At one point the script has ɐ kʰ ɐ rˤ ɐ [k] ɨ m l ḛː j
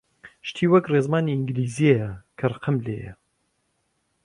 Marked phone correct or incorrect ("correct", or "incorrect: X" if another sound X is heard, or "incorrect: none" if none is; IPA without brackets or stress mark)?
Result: incorrect: q